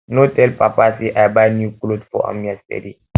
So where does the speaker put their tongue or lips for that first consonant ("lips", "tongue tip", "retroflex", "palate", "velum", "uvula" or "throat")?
tongue tip